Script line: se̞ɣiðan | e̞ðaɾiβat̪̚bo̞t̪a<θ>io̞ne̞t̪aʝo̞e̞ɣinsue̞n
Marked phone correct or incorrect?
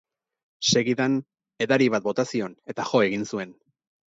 incorrect